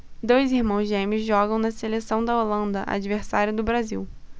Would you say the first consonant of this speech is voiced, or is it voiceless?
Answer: voiced